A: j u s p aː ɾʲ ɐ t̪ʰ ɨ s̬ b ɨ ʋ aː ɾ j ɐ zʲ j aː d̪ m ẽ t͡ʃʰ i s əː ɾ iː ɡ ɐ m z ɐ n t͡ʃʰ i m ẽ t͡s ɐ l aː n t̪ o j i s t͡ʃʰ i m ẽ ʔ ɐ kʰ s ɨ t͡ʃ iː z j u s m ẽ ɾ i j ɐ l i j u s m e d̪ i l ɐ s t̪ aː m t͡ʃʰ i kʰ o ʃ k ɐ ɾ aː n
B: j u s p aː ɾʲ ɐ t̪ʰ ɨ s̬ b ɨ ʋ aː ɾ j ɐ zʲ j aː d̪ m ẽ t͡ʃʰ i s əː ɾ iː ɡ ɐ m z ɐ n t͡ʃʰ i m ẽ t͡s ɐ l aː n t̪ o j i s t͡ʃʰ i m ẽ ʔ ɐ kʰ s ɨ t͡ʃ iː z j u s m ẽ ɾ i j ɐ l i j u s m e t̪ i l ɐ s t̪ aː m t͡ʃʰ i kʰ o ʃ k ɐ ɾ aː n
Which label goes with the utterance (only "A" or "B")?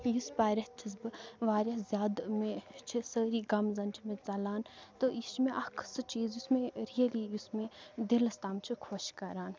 A